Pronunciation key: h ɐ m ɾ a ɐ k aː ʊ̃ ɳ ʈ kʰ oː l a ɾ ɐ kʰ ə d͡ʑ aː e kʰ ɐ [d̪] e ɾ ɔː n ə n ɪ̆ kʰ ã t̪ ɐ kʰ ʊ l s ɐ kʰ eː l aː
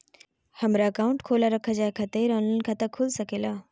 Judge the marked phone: incorrect: t̪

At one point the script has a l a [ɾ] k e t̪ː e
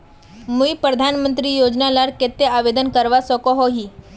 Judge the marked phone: correct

